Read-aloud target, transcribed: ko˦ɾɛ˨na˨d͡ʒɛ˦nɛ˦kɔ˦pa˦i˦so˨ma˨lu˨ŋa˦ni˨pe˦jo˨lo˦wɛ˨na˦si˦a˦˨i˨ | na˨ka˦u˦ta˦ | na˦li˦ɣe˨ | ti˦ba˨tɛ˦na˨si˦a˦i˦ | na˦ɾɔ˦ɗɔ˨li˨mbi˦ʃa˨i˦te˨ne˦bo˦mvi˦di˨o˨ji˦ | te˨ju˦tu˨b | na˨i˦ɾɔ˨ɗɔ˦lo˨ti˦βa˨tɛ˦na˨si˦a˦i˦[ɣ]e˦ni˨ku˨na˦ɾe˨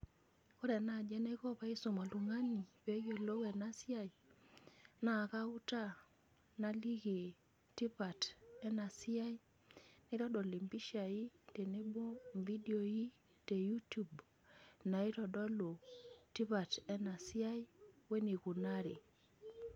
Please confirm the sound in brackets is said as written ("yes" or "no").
no